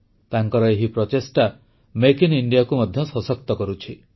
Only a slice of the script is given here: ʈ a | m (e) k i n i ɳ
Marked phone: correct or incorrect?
correct